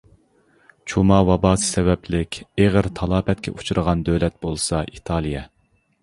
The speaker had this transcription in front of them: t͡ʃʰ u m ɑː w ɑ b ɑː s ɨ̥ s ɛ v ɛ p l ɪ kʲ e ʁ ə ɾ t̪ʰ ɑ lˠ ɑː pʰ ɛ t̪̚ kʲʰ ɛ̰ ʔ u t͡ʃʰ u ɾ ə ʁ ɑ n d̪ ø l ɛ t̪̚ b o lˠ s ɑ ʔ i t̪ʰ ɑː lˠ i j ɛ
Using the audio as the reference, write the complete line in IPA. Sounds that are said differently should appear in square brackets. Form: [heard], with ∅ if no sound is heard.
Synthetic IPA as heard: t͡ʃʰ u m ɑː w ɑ b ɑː s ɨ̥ s ɛ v ɛ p l ɪ kʲ e ʁ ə ɾ t̪ʰ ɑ lˠ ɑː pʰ ɛ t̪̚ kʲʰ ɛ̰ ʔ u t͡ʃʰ u ɾ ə ʁ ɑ n d̪ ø l ɛ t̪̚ b o lˠ s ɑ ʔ i t̪ʰ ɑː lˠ i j ɛ

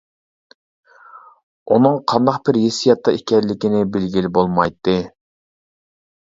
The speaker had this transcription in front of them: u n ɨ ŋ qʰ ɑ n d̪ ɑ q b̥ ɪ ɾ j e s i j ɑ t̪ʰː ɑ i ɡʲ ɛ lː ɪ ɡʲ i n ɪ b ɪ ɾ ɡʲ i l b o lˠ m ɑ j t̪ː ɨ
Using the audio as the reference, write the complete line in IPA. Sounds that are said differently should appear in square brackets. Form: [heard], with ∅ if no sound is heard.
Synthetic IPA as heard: u n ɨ ŋ qʰ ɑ n d̪ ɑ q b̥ ɪ ɾ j e s i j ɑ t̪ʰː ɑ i [kʲ] ɛ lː ɪ [kʲ] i n ɪ b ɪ [l] ɡʲ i l b o lˠ m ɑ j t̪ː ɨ

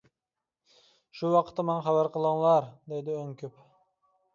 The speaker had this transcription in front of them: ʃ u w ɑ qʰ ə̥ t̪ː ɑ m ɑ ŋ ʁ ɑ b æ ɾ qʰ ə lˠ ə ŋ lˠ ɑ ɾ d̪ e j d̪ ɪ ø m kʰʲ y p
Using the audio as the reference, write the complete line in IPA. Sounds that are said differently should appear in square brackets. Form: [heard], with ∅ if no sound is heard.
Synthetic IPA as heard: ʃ u w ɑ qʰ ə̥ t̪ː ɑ m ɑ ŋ [χ] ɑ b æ ɾ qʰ ə lˠ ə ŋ lˠ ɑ ɾ d̪ e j d̪ ɪ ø [ŋ] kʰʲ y p

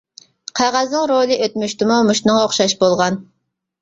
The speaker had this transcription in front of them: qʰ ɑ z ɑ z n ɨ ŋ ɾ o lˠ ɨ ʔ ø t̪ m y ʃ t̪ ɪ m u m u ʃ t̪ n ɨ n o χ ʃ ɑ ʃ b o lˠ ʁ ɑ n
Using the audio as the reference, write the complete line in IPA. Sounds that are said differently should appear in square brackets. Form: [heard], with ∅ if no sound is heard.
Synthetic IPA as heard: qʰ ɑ [ʁ] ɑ z n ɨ ŋ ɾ o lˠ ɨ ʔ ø t̪ m y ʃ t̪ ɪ m u m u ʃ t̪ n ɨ [ŋ] o χ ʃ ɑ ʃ b o lˠ ʁ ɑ n

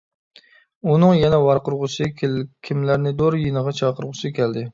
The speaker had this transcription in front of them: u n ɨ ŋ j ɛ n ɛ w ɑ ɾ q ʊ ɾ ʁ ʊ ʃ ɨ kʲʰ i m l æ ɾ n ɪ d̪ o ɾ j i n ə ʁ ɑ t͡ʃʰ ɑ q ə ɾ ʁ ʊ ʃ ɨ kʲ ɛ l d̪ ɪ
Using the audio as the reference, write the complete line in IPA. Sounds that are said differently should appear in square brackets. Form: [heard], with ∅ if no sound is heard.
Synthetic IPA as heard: u n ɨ ŋ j ɛ n ɛ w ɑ ɾ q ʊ ɾ ʁ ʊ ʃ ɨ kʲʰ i m l æ ɾ n ɪ d̪ o ɾ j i n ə ʁ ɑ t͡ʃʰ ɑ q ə ɾ ʁ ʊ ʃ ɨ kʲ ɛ l d̪ ɪ

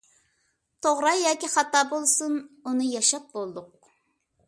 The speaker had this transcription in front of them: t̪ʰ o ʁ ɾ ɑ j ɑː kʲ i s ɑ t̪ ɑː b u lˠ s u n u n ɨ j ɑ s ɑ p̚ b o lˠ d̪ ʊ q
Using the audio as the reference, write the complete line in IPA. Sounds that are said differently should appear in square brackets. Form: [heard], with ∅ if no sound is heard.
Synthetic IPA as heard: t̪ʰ o ʁ ɾ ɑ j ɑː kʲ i [χ] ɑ t̪ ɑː b [o] lˠ s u n u n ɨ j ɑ [ʃ] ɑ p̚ b o lˠ d̪ ʊ q

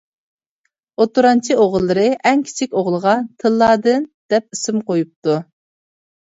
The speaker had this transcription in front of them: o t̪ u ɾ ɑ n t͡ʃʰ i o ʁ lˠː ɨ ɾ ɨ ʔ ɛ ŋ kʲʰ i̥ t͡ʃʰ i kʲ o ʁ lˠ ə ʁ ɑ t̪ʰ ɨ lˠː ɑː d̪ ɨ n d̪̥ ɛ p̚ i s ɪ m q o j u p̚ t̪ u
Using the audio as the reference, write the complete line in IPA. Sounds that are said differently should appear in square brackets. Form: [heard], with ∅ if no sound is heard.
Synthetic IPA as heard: o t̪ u ɾ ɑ n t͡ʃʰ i o ʁ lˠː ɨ ɾ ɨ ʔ ɛ ŋ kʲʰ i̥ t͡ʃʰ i kʲ o ʁ lˠ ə ʁ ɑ t̪ʰ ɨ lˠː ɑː d̪ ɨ n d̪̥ ɛ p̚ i s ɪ m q o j u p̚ t̪ u

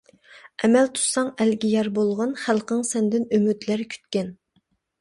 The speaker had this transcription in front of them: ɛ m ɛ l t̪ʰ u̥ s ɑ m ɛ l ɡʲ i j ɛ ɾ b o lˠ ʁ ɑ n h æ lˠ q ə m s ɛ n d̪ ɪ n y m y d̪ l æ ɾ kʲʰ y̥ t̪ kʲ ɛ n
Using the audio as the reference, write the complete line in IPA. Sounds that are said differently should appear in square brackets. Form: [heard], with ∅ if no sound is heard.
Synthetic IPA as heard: ɛ m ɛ l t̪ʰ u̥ s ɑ [ŋ] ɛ l ɡʲ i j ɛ ɾ b o lˠ ʁ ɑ n [χ] æ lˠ q ə [ŋ] s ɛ n d̪ ɪ n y m y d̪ l æ ɾ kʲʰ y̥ t̪ kʲ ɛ n

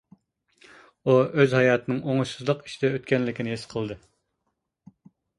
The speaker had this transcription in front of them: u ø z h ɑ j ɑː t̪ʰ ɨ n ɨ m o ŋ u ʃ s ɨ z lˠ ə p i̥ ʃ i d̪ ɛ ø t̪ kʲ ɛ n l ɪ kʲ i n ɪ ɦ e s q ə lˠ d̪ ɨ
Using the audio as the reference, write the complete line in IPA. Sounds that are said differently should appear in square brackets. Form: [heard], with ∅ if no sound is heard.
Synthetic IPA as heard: u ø z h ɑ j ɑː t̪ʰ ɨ n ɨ [ŋ] o ŋ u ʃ s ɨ z lˠ ə [q] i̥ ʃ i d̪ ɛ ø t̪ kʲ ɛ n l ɪ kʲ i n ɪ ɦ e s [qʰ] ə lˠ d̪ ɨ

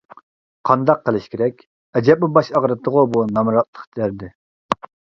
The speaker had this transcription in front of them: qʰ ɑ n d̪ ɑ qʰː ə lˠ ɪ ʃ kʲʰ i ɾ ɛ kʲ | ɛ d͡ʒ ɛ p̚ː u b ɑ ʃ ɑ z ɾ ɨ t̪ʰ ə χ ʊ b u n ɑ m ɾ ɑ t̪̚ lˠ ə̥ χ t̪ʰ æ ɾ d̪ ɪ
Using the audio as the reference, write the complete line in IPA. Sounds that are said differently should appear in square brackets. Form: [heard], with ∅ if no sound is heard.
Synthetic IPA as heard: qʰ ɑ n d̪ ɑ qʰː ə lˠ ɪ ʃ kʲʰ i ɾ ɛ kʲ | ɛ d͡ʒ ɛ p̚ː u b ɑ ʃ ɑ [ʁ] ɾ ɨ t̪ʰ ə [ʁ] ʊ b u n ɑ m ɾ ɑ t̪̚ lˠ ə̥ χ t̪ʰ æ ɾ d̪ ɪ

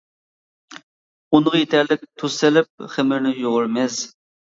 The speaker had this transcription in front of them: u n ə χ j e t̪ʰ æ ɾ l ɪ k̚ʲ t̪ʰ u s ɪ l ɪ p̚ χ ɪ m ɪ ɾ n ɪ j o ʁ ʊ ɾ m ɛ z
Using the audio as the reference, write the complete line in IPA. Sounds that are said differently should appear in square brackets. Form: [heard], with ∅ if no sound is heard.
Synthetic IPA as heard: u n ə [ʁ] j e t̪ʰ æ ɾ l ɪ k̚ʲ t̪ʰ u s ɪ l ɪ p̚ χ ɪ m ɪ ɾ n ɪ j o ʁ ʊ ɾ m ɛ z

